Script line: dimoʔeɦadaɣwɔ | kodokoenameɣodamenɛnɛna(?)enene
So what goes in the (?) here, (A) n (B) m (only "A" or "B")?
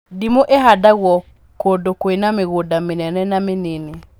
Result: B